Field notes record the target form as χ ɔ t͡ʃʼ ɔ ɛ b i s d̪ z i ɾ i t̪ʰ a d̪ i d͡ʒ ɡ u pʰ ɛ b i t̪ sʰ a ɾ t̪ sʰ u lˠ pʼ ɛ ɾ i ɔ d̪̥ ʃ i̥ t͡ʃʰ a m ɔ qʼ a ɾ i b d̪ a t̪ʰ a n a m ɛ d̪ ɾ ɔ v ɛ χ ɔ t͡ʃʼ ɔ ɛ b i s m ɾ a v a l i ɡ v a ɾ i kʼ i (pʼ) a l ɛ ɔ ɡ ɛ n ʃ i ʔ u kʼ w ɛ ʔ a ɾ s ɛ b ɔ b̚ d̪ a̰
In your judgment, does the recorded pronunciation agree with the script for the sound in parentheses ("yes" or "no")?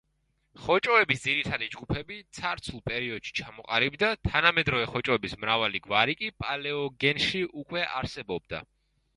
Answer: yes